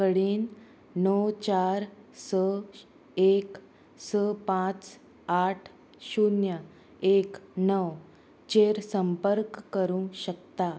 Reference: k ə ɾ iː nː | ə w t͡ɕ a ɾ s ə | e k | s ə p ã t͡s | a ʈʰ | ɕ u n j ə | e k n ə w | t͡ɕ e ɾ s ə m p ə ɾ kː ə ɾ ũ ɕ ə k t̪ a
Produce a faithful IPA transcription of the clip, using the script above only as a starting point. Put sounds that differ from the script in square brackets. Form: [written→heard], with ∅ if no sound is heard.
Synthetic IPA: k ə [ɾ→ɽ] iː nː | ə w t͡ɕ a ɾ s ə | e k | s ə p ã t͡s | a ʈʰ | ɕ u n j ə | e k n ə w | t͡ɕ e ɾ s ə m p ə ɾ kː ə ɾ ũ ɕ ə k t̪ a